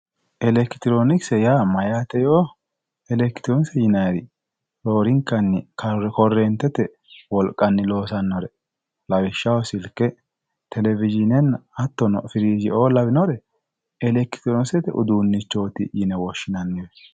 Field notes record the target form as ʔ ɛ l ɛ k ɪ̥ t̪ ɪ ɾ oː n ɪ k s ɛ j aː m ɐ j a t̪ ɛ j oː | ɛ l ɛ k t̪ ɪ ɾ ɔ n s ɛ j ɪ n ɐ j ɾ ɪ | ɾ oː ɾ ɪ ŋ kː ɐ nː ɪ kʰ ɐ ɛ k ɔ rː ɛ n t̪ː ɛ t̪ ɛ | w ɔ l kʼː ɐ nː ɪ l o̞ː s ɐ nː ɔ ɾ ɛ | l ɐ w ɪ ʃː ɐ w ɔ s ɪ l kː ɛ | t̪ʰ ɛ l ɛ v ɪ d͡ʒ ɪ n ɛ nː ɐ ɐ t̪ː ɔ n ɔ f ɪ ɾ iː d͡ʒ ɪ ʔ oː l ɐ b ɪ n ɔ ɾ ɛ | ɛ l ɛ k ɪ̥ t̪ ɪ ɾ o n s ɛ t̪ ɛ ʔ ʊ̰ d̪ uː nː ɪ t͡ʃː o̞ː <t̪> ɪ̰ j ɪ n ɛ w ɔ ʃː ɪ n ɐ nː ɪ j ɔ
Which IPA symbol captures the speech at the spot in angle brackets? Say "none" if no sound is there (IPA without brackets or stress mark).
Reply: t̪